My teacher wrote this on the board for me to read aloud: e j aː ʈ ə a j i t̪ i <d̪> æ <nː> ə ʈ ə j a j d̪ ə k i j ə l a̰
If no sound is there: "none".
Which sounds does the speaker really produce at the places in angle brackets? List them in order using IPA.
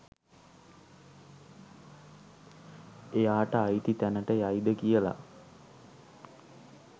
t̪, n

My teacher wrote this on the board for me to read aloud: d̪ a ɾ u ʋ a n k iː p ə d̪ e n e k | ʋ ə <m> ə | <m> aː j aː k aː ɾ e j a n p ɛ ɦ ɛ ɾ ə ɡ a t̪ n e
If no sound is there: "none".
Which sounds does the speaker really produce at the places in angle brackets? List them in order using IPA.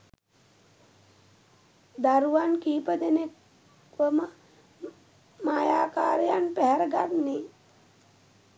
m, m

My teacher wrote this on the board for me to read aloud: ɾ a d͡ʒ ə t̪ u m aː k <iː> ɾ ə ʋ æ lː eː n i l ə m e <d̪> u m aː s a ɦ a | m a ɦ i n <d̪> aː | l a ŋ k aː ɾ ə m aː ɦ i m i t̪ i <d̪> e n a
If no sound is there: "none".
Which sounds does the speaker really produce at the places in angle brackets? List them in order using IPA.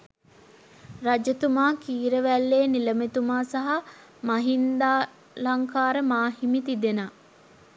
iː, t̪, d̪, d̪

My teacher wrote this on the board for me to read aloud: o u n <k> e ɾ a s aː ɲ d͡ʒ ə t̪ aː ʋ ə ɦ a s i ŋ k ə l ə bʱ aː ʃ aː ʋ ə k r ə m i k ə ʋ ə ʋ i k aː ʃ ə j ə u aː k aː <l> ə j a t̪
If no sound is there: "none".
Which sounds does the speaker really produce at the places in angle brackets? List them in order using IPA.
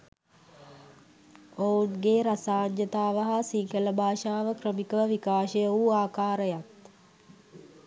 ɡ, ɾ

